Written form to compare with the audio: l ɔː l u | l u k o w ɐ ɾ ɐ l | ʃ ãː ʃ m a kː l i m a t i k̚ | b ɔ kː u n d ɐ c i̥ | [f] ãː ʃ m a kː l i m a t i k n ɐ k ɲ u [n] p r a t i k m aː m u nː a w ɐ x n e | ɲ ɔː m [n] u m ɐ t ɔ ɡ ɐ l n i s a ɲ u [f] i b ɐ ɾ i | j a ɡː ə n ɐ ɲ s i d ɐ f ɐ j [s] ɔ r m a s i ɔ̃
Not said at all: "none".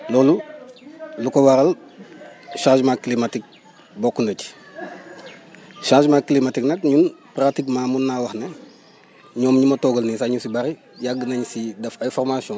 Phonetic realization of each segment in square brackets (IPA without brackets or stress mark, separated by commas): ʃ, n, ɲ, s, f